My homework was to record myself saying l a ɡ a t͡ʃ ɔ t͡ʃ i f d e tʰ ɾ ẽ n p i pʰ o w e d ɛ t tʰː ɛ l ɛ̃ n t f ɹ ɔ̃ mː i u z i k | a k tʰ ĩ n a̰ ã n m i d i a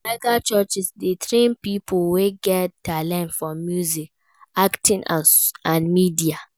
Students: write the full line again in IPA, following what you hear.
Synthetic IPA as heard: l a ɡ a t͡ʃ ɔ t͡ʃ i s d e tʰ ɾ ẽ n p i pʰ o w e ɡ ɛ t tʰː a l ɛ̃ n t f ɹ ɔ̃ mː j u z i k | a k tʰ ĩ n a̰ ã n m i d i a